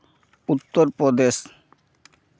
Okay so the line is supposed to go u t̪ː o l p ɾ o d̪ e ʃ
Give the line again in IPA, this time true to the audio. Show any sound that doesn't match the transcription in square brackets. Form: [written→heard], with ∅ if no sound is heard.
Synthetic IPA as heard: u t̪ː o [l→ɾ] p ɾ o d̪ e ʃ